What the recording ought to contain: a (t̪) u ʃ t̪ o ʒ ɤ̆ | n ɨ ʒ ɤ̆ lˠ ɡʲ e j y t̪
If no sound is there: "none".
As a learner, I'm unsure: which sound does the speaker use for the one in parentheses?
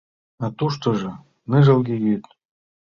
t̪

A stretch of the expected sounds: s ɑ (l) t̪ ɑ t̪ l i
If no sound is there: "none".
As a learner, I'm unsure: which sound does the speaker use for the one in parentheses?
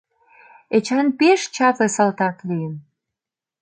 l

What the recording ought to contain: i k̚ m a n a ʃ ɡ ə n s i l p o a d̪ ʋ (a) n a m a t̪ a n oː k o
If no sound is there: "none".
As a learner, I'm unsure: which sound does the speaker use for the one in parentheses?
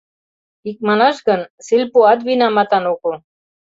i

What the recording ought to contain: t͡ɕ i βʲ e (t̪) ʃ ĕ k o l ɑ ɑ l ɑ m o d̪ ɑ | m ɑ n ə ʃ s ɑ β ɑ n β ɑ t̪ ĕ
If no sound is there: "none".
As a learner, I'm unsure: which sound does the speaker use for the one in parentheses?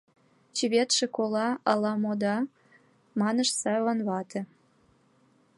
t̪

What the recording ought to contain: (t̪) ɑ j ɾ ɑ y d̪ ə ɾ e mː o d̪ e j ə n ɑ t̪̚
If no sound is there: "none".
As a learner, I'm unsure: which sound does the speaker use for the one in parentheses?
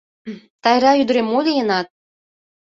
t̪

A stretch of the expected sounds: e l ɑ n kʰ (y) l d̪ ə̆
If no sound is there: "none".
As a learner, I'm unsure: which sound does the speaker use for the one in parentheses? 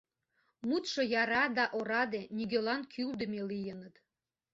y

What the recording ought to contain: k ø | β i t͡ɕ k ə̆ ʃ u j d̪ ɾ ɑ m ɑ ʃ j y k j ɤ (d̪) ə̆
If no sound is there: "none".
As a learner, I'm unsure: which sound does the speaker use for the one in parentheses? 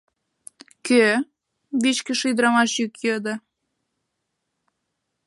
d̪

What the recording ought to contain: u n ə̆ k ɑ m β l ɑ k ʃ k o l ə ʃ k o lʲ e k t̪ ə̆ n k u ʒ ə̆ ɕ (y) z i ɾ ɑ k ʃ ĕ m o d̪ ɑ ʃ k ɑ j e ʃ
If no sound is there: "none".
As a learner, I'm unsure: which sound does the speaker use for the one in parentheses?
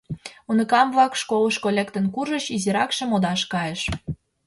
i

